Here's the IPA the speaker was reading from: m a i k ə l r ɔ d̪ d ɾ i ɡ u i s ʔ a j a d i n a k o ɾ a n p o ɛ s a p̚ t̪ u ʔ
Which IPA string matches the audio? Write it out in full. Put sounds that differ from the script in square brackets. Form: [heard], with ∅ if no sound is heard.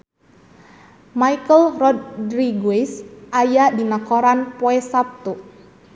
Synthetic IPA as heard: m a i k ə l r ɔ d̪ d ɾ i ɡ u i s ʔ a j a d i n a k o ɾ a n p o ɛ s a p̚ t̪ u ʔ

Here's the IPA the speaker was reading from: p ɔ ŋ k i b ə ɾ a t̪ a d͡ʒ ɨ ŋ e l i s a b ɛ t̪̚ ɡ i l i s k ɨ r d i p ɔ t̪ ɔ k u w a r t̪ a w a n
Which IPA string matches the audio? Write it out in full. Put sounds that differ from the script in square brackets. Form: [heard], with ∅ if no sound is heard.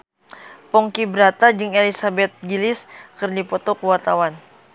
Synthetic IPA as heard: p ɔ ŋ k i b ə ɾ a t̪ a d͡ʒ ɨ ŋ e l i s a b ɛ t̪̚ ɡ i l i s k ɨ r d i p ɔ t̪ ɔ k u w a r t̪ a w a n

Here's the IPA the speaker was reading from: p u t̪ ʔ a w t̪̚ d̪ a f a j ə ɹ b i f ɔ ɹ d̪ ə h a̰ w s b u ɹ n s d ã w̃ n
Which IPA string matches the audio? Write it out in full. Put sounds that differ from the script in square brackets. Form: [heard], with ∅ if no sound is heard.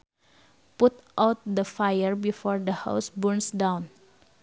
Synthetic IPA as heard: p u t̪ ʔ a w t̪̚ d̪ [ə] f a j ə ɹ b i f ɔ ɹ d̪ ə h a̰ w s b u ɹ n s d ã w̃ n

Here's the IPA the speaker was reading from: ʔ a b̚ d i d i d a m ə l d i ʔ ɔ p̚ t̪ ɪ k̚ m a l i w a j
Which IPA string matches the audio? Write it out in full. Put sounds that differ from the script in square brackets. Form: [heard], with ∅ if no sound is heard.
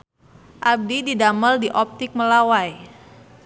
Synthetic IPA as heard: ʔ a b̚ d i d i d a m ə l d i ʔ ɔ p̚ t̪ ɪ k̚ m [ə] l [a] w a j

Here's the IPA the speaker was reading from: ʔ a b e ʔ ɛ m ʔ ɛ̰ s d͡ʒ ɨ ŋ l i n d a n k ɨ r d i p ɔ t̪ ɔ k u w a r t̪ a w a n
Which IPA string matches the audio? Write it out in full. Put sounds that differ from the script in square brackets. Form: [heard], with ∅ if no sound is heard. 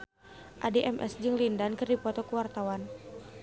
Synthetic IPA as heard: ʔ a [d] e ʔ ɛ m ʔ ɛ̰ s d͡ʒ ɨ ŋ l i n d a n k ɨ r d i p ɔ t̪ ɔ k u w a r t̪ a w a n

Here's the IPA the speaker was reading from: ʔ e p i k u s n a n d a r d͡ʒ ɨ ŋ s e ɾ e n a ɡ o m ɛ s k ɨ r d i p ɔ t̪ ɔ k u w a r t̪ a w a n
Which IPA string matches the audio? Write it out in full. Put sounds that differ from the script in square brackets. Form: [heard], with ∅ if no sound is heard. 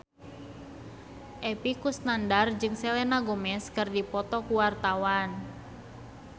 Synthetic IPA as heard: ʔ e p i k u s n a n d a r d͡ʒ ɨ ŋ s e [l] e n a ɡ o m ɛ s k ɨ r d i p ɔ t̪ ɔ k u w a r t̪ a w a n

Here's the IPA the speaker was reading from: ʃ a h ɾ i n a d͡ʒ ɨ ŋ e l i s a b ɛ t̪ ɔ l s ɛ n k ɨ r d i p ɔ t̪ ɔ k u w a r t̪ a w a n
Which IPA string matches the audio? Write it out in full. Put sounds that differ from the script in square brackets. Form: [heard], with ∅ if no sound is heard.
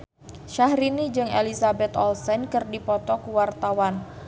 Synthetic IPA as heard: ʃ a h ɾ i n [i] d͡ʒ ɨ ŋ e l i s a b ɛ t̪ ɔ l s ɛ n k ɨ r d i p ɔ t̪ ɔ k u w a r t̪ a w a n

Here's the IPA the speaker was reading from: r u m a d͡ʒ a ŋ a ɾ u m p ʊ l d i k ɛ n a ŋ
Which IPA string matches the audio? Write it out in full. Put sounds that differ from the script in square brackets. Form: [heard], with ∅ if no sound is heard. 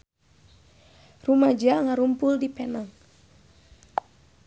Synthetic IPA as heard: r u m a d͡ʒ a ŋ a ɾ u m p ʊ l d i [p] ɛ n a ŋ

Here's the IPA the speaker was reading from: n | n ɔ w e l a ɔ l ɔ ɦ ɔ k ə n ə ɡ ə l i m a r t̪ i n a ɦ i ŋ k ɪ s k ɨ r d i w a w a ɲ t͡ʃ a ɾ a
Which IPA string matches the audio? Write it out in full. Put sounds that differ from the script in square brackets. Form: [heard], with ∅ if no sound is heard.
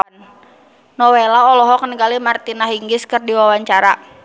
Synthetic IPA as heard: n | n ɔ w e l a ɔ l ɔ ɦ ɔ k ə n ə ɡ [a] l i m a r t̪ i n a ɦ i ŋ [ɡ] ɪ s k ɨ r d i w a w a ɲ t͡ʃ a ɾ a

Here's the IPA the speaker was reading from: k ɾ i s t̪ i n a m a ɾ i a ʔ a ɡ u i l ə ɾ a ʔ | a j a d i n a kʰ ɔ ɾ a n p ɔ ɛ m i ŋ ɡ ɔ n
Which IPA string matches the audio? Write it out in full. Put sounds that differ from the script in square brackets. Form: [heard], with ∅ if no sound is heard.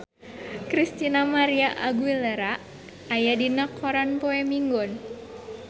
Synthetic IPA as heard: k ɾ i s t̪ i n a m a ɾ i a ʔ a ɡ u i l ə ɾ a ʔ | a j a d i n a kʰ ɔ ɾ a n p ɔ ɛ m i ŋ ɡ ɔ n

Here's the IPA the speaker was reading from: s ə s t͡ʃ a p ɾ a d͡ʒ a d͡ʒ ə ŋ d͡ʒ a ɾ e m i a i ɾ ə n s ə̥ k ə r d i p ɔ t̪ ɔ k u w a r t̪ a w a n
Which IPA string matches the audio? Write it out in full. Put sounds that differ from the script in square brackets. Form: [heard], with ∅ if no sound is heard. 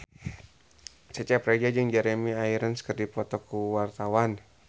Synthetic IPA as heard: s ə [∅] t͡ʃ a p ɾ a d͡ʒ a d͡ʒ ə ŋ d͡ʒ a ɾ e m i a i ɾ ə n s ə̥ k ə r d i p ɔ t̪ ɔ k u w a r t̪ a w a n

